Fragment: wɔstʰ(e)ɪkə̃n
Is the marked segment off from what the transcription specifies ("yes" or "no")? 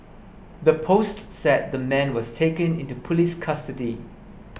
no